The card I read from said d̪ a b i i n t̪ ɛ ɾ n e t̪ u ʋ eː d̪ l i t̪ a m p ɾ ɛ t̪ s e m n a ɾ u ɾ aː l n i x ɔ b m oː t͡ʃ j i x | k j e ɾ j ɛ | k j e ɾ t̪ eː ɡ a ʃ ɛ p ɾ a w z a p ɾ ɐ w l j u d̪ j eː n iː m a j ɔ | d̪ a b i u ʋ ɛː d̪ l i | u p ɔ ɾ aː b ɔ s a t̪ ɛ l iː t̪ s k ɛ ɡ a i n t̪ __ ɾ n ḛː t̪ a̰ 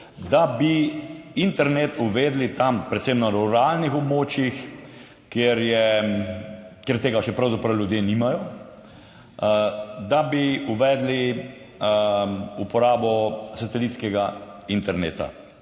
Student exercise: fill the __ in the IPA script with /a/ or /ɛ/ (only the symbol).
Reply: ɛ